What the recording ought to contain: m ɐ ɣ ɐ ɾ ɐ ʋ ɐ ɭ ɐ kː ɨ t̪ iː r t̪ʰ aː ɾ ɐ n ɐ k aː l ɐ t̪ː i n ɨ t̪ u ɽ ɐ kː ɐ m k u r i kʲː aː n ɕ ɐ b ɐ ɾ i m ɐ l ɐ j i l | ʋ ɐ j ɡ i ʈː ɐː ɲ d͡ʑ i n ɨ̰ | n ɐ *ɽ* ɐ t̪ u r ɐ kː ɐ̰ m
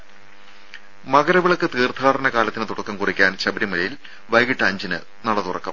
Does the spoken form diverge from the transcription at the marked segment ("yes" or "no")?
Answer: no